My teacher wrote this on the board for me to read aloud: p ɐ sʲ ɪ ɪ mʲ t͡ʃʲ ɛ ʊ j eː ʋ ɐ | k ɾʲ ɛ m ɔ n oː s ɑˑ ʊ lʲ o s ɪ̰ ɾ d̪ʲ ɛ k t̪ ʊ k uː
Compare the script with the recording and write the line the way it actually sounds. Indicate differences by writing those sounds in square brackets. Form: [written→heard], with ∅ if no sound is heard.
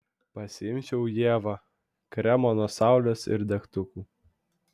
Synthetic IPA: p ɐ sʲ ɪ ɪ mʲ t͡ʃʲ ɛ ʊ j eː ʋ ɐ | k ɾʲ ɛ m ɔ n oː s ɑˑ ʊ lʲ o s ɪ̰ ɾ d̪ʲ ɛ k t̪ ʊ k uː